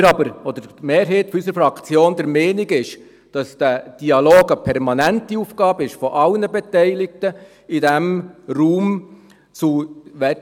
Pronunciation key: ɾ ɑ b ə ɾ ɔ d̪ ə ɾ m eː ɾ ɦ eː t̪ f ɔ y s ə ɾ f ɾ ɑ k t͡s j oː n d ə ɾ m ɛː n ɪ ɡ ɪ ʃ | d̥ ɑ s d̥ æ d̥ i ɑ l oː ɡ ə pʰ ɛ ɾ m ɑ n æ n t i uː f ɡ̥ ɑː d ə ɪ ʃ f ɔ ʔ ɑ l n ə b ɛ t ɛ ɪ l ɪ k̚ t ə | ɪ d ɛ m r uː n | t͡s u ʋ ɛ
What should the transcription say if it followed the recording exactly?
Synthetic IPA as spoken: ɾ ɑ b ə ɾ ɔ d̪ ə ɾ m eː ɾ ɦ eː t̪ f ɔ y s ə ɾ f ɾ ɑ k t͡s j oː n d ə ɾ m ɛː n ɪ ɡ ɪ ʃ | d̥ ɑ s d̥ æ d̥ i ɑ l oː ɡ ə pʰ ɛ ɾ m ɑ n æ n t i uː f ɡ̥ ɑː b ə ɪ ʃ f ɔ ʔ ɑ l n ə b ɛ t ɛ ɪ l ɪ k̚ t ə | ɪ d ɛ m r uː m | t͡s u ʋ ɛ